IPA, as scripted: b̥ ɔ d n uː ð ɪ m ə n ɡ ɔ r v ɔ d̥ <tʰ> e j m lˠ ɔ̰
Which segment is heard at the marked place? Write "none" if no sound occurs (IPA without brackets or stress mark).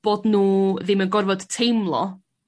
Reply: tʰ